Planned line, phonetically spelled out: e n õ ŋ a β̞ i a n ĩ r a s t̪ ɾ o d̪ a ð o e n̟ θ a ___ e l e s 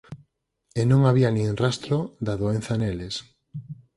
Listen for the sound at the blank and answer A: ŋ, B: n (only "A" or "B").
B